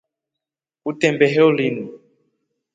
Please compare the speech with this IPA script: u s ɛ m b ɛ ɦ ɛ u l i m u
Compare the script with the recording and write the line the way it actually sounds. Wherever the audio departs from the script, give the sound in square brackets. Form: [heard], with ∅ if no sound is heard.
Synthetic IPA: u [t] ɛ m b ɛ ɦ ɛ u l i [n] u